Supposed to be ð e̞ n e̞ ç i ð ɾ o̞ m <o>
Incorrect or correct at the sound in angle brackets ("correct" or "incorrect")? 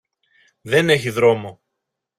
correct